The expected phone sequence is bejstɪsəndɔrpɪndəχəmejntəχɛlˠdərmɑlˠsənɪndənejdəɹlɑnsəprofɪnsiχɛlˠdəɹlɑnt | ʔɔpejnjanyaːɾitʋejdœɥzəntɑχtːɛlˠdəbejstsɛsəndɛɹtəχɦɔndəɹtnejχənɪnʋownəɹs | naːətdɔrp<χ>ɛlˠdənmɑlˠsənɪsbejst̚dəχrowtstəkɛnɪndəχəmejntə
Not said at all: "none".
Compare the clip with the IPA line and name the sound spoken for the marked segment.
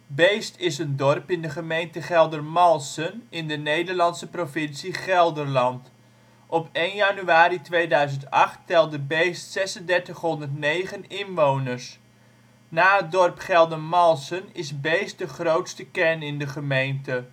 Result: χ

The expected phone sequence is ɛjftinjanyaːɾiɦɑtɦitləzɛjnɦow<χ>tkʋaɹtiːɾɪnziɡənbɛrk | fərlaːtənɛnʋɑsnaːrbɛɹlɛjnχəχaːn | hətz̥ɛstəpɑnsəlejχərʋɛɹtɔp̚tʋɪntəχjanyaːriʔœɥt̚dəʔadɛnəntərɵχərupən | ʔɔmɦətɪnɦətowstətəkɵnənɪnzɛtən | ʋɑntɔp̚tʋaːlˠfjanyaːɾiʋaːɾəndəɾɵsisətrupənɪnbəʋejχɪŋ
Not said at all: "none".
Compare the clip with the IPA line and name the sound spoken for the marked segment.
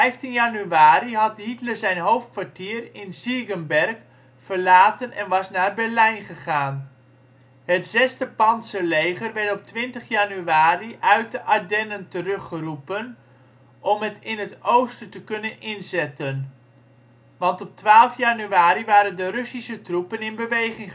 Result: f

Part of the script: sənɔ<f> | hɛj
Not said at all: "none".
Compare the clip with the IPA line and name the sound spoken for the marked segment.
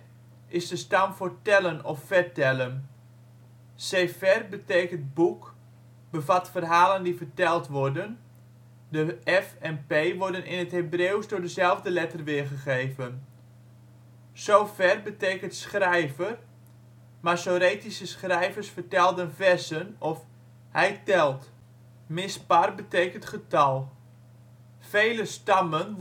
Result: f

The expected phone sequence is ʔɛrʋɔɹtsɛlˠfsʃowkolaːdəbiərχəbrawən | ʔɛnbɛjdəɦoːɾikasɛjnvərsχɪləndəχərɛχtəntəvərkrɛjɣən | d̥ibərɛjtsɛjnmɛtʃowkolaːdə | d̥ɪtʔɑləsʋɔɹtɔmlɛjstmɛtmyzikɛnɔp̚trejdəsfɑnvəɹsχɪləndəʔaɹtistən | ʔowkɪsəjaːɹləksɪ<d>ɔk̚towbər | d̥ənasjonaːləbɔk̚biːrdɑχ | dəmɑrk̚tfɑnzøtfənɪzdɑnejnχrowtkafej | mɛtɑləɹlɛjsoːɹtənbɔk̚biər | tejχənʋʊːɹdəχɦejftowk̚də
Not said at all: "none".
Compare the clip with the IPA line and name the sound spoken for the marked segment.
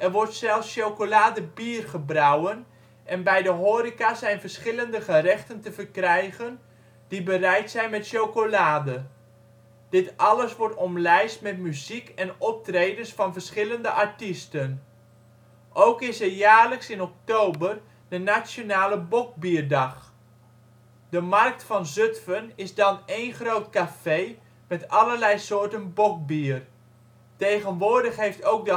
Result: n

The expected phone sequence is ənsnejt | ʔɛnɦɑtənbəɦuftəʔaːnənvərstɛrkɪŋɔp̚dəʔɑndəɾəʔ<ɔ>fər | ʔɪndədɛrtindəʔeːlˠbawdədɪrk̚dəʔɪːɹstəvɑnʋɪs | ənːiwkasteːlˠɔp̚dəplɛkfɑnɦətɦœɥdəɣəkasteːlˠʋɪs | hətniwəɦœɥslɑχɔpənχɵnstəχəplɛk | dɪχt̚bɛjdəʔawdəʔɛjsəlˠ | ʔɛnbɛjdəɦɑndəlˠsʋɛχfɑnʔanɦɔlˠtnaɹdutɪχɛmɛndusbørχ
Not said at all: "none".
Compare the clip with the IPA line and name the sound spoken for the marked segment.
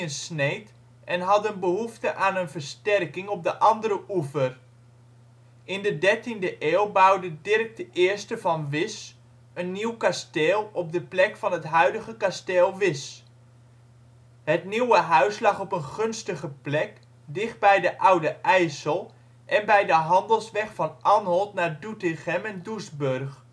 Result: u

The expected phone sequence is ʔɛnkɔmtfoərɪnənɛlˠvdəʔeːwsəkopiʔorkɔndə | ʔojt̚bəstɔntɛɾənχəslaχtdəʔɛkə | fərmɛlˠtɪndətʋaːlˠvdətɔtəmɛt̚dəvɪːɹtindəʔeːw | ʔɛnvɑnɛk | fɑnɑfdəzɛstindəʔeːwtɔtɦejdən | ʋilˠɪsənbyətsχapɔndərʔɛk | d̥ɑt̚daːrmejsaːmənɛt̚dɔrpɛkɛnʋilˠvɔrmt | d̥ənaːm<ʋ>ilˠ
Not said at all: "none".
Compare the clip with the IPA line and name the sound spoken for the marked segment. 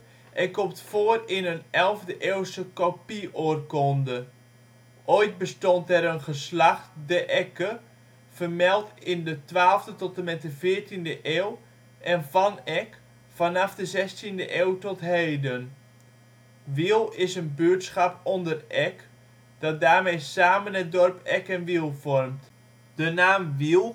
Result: ʋ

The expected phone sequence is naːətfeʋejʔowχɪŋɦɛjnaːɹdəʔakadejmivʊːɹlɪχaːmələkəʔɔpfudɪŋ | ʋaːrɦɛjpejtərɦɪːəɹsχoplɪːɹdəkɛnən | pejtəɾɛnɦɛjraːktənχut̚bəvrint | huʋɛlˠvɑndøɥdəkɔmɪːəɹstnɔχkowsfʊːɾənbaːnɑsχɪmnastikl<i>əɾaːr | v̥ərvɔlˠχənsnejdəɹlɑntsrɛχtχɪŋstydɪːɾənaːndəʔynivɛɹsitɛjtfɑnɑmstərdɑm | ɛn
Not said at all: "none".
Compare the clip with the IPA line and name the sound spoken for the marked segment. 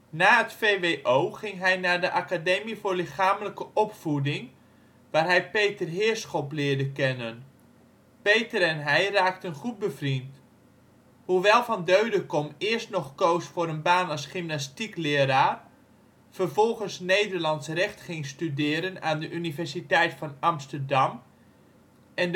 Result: ɪ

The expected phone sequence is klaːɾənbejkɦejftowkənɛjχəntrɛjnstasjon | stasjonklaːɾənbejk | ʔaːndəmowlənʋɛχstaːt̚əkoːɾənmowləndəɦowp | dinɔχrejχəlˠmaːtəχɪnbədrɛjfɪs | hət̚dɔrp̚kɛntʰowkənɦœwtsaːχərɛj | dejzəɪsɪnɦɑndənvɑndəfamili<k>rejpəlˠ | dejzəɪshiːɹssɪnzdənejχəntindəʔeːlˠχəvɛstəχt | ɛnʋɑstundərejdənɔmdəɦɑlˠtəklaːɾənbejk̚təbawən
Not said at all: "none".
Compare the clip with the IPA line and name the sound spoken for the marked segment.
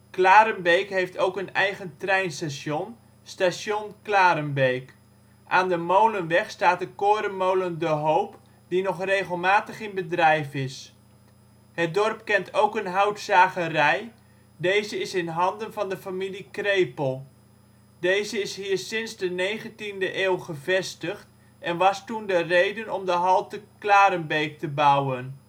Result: k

